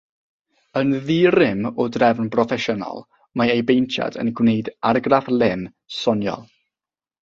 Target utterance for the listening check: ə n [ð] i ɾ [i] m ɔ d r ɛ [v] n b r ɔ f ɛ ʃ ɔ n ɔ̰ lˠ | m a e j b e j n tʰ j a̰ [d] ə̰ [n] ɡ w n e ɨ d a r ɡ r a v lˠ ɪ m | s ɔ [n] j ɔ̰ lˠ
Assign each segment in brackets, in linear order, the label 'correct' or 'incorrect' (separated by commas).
correct, incorrect, correct, correct, correct, correct